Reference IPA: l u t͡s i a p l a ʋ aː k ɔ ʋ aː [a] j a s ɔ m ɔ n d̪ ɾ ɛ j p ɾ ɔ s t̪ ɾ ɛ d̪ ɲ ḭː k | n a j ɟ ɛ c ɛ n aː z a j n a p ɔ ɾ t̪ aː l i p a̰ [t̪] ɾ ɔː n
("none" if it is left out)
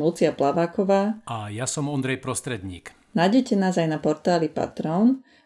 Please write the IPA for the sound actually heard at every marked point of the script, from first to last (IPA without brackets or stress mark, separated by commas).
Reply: a, t̪